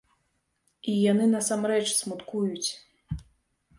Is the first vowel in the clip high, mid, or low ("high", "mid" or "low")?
high